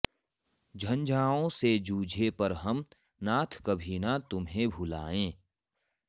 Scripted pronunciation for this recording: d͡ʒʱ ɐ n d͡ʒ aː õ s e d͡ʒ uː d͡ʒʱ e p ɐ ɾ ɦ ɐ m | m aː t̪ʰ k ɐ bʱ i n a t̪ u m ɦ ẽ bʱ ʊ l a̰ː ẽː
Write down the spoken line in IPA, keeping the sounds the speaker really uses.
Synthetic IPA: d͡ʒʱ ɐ n d͡ʒ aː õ s e d͡ʒ uː d͡ʒʱ e p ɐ ɾ ɦ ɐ m | n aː t̪ʰ k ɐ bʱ i n a t̪ ʊ m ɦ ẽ bʱ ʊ l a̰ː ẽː